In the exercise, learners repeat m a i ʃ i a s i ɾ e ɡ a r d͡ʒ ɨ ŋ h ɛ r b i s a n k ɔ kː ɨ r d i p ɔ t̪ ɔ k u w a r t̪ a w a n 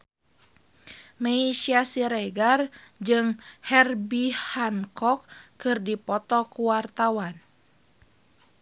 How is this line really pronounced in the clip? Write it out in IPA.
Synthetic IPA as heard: m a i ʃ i a s i ɾ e ɡ a r d͡ʒ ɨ ŋ h ɛ r b i h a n k ɔ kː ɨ r d i p ɔ t̪ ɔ k u w a r t̪ a w a n